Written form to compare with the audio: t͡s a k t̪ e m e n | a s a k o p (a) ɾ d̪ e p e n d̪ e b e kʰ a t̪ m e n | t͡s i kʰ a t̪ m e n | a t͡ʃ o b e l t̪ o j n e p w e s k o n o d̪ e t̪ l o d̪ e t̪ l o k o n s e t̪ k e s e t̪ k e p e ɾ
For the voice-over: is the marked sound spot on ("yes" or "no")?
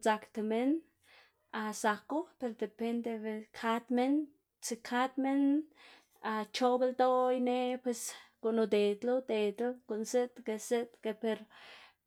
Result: no